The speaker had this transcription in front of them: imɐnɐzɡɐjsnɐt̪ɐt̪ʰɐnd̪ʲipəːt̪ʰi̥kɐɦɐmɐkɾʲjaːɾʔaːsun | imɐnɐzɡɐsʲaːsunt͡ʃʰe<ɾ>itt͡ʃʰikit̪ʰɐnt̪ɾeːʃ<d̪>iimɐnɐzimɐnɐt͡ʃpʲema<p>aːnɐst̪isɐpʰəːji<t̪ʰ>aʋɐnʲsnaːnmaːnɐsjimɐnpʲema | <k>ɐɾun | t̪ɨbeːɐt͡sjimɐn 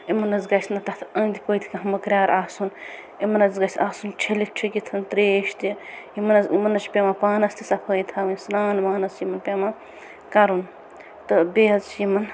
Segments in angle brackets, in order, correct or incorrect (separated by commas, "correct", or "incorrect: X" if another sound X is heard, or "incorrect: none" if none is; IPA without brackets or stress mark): incorrect: l, incorrect: t̪, correct, correct, correct